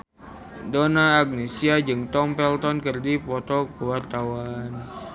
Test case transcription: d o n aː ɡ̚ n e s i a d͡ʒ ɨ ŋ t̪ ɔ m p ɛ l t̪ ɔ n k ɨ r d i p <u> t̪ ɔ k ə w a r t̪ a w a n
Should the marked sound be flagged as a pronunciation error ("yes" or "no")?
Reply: yes